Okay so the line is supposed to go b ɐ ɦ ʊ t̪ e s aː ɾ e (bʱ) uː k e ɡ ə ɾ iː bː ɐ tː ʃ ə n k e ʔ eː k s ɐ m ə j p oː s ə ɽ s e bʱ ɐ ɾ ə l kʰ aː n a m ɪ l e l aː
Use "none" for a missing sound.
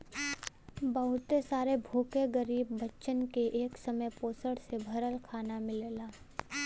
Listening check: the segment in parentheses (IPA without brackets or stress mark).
bʱ